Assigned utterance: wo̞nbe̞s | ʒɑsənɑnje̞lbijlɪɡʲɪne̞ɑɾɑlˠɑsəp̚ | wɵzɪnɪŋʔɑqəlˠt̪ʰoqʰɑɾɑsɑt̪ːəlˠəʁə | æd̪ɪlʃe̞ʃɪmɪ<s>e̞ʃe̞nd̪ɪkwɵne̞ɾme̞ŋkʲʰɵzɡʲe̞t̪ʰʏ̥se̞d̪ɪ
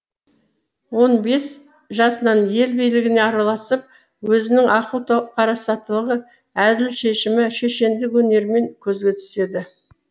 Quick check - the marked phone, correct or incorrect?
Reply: incorrect